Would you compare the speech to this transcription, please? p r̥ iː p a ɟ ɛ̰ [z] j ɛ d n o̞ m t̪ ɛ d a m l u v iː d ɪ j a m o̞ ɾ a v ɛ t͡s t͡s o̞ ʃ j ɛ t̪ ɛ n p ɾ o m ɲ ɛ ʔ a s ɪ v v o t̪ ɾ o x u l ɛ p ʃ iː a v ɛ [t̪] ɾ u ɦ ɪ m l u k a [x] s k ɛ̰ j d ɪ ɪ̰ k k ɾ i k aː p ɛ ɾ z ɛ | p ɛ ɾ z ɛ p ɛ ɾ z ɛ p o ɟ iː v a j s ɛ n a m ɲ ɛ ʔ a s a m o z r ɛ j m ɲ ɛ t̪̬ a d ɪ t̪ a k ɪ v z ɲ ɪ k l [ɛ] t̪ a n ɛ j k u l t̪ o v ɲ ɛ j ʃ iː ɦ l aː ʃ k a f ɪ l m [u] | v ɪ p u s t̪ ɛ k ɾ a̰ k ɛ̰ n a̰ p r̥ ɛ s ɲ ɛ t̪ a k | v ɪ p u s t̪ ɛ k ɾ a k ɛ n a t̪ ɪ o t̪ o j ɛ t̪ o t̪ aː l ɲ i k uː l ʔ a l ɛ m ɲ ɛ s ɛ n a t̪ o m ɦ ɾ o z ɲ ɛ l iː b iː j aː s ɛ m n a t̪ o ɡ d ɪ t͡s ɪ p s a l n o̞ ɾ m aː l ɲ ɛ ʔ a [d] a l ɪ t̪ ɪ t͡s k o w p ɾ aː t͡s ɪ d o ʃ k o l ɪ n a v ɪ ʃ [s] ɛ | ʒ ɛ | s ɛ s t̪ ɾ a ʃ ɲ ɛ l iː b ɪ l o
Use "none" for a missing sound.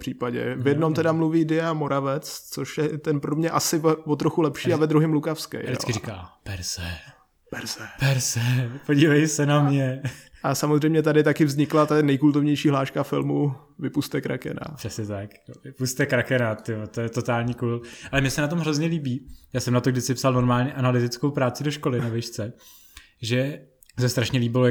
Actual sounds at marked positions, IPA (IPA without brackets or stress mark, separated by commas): v, d̪, f, a, u, n, t͡s